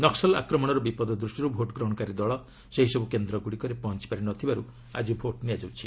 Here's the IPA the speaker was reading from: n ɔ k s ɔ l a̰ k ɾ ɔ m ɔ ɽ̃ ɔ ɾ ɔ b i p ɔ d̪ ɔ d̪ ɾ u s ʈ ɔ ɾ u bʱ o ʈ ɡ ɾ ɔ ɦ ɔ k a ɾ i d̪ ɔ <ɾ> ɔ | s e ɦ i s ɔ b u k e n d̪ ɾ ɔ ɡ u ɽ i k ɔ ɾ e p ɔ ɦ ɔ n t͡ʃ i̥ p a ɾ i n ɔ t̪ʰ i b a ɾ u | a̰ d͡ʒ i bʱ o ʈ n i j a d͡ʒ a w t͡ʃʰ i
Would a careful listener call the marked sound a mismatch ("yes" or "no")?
yes